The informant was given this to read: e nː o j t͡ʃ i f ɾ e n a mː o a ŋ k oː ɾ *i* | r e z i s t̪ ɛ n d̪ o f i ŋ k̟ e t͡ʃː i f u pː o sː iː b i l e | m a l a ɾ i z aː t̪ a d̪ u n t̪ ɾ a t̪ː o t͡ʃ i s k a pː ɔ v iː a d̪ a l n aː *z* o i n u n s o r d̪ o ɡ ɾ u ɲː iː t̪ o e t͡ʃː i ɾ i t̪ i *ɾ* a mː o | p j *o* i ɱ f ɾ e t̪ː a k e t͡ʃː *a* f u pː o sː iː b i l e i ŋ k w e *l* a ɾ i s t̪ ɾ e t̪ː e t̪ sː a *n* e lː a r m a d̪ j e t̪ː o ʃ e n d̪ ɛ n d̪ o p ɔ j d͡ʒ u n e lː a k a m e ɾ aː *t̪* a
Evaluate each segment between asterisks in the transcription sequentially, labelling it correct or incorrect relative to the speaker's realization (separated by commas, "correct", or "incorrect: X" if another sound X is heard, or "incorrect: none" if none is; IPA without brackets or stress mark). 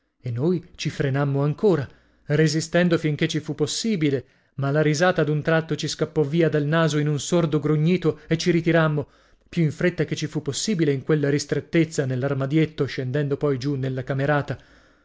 incorrect: a, correct, correct, incorrect: u, incorrect: i, incorrect: lː, correct, correct